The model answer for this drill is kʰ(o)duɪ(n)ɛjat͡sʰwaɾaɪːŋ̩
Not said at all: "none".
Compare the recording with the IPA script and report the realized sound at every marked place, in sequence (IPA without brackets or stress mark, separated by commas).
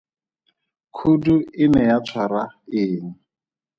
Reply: u, n